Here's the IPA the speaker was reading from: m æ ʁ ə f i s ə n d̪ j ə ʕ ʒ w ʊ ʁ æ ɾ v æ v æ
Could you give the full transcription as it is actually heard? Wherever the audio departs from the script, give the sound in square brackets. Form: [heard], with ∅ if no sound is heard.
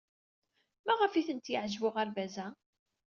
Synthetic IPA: m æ ʁ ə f i [θ] ə n [t̪] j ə ʕ ʒ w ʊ ʁ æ ɾ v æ [z] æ